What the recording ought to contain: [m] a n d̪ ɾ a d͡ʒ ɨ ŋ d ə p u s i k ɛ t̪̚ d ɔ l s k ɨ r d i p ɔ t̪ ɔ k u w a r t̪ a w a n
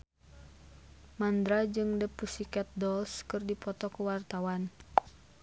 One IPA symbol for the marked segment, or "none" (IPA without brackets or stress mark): m